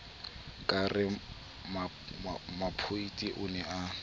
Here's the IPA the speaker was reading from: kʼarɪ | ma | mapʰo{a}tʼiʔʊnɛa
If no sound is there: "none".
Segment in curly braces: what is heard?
i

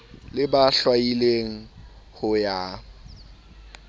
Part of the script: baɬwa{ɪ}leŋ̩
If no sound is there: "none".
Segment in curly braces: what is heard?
i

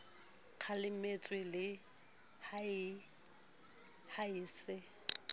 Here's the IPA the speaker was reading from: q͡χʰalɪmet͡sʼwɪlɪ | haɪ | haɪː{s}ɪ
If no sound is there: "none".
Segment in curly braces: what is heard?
s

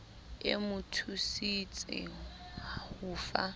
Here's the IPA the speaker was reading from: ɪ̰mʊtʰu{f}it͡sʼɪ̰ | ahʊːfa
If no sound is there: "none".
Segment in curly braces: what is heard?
s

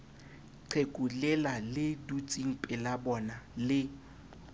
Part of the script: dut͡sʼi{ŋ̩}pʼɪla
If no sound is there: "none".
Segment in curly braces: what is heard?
ŋ̩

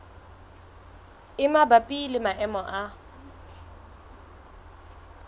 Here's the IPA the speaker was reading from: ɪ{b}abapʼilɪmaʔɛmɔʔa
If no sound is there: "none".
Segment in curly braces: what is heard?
m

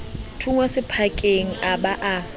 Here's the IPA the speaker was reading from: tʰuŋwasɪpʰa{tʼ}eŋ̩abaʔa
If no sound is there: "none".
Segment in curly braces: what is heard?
kʼ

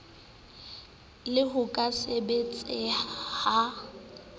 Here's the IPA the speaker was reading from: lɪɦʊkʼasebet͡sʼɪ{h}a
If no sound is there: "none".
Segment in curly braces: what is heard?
h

